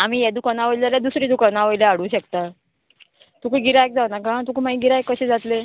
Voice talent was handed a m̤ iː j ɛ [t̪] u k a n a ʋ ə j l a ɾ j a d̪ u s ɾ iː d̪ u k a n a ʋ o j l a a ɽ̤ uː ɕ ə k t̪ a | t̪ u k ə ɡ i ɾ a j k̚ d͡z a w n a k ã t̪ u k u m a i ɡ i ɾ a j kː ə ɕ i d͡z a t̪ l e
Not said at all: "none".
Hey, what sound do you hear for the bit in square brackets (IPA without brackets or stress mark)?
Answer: d̪